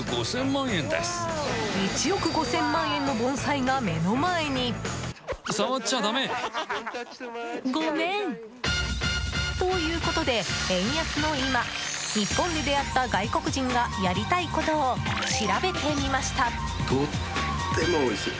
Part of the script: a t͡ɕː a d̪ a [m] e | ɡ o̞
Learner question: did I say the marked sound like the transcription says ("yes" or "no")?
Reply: yes